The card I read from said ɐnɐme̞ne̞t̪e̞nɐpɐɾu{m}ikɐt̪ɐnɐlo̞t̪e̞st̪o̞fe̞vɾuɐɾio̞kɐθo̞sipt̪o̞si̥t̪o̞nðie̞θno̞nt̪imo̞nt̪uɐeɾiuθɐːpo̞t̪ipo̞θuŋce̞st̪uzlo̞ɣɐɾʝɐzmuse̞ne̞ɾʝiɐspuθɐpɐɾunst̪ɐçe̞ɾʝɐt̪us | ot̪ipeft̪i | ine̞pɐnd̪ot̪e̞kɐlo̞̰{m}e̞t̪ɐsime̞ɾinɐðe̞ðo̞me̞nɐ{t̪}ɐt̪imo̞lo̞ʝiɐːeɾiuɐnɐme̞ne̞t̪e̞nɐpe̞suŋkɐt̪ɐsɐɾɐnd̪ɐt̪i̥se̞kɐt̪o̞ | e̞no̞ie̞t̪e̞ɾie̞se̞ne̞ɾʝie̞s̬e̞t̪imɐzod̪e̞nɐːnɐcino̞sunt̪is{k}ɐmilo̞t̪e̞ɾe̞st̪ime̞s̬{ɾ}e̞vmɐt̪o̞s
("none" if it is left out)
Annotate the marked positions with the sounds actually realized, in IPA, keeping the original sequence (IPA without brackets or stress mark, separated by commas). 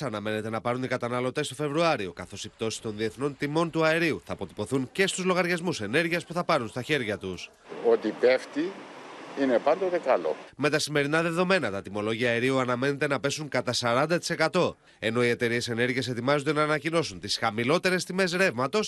n, m, t̪, x, ɾ